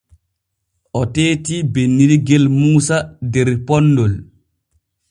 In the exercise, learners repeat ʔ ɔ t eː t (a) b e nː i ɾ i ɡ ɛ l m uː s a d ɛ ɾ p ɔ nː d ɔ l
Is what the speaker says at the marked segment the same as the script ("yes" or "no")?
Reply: no